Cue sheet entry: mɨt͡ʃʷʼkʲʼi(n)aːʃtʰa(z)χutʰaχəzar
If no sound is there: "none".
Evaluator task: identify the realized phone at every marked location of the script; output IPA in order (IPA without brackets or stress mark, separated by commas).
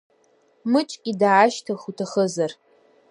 d, none